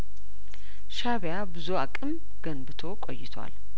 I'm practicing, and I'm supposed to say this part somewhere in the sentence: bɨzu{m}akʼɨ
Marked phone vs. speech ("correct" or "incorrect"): incorrect